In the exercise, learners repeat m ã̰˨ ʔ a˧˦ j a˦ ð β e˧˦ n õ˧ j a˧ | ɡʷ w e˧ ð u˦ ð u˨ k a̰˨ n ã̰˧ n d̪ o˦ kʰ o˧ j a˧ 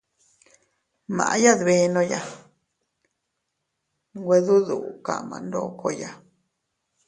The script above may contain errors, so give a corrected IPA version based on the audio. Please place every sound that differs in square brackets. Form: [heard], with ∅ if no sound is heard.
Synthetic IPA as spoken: m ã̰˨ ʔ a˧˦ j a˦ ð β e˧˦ n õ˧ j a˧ | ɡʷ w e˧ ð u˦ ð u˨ k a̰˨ [m] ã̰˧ n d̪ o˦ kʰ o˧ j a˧